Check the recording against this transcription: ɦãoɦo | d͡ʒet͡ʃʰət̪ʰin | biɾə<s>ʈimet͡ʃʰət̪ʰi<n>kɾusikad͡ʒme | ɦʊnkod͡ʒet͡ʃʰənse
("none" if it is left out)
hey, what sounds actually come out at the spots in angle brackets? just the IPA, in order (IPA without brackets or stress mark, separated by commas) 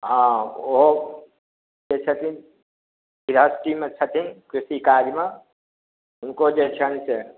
s, n